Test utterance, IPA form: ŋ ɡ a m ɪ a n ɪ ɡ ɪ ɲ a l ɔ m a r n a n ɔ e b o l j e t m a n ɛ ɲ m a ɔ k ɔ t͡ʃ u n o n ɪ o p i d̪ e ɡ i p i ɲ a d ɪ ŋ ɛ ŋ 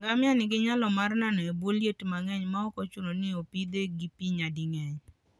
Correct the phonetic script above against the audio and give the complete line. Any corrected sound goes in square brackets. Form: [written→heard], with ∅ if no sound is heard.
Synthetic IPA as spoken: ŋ ɡ a m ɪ a n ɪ ɡ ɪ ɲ a l ɔ m a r n a n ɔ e b o l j e t m a [n→ŋ] ɛ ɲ m a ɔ k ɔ t͡ʃ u n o n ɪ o p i d̪ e ɡ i p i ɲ a d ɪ ŋ ɛ [ŋ→ɲ]